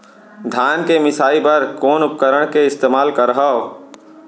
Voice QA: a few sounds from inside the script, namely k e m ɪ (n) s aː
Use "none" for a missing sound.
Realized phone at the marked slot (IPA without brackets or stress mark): none